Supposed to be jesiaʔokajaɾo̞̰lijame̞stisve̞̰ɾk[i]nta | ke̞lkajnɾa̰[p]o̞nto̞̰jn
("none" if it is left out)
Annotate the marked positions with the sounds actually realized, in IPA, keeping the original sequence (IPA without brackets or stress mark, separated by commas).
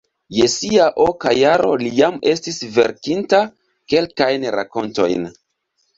i, k